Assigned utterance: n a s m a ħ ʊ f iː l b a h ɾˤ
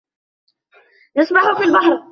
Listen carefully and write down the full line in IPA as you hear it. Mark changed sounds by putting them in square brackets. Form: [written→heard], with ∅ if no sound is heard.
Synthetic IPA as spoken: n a s m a ħ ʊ f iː l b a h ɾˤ